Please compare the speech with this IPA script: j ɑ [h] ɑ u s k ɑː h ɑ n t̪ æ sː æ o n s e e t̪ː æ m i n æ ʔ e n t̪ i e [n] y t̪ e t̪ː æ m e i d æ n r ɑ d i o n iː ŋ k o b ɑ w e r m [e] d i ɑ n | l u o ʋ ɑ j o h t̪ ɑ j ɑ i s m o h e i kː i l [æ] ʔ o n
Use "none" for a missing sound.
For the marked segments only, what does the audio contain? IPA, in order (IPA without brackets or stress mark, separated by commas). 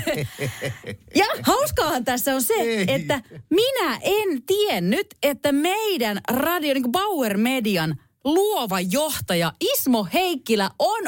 h, nː, e, æ